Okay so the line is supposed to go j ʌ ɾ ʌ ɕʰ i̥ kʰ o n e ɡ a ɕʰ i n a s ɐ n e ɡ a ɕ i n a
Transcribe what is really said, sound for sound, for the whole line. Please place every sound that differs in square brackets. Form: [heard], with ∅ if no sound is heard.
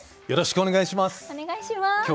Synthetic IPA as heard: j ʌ ɾ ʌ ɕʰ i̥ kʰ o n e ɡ a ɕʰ i [m] a s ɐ n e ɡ a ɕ i [m] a

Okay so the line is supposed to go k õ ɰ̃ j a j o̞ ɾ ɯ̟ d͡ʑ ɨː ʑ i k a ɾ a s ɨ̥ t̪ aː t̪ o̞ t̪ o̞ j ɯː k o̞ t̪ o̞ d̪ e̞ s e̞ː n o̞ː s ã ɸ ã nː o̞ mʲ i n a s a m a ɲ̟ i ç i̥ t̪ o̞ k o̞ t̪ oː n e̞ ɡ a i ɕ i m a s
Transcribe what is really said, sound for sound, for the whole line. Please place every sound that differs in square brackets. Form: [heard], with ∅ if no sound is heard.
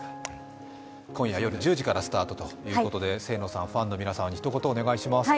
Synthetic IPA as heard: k õ ɰ̃ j a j o̞ ɾ ɯ̟ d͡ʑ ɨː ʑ i k a ɾ a s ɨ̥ t̪ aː t̪ o̞ t̪ o̞ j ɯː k o̞ t̪ o̞ d̪ e̞ s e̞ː n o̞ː s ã ɸ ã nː o̞ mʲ i n a s a m a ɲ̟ i ç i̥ t̪ o̞ k o̞ t̪ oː n e̞ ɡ a i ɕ i m a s

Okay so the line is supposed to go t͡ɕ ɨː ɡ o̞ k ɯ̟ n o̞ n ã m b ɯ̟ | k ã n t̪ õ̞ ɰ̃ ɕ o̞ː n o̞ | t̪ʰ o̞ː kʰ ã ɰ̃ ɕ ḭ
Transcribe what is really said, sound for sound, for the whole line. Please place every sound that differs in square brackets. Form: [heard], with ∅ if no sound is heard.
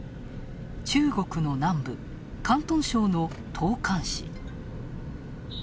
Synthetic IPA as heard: t͡ɕ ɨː ɡ o̞ k ɯ̟ n o̞ n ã m b ɯ̟ | k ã n t̪ õ̞ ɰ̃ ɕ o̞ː n o̞ | t̪ʰ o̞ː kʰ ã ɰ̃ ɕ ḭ

